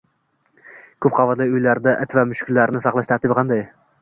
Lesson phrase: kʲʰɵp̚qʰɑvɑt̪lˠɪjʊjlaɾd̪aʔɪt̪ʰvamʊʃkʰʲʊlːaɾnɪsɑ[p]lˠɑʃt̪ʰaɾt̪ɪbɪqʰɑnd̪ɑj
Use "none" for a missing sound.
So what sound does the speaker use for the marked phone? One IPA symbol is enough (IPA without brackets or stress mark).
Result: q